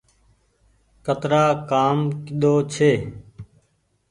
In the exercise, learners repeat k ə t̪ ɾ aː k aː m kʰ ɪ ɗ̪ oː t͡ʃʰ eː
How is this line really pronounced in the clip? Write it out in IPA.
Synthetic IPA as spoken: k ə t̪ ɾ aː k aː m k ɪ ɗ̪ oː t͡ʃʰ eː